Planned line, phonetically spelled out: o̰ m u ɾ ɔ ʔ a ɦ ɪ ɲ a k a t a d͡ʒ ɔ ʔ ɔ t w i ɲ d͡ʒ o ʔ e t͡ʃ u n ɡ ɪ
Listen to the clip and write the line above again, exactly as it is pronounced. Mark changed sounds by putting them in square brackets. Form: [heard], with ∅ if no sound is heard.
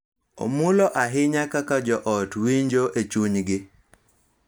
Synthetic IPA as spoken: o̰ m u [l] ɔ ʔ a ɦ ɪ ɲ a k a [k] a d͡ʒ ɔ ʔ ɔ t w i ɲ d͡ʒ o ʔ e t͡ʃ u [ɲ] ɡ ɪ